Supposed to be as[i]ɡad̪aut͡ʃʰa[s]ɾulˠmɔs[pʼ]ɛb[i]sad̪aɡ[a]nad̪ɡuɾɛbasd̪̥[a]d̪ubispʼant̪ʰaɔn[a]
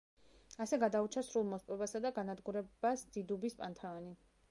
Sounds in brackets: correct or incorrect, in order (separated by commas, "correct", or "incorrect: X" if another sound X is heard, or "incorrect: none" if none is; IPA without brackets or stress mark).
incorrect: ɛ, correct, correct, incorrect: a, correct, incorrect: i, incorrect: i